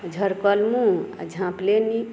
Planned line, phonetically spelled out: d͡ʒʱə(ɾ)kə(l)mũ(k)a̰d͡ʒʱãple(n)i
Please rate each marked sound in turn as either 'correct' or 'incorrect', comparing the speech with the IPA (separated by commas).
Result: correct, correct, incorrect, correct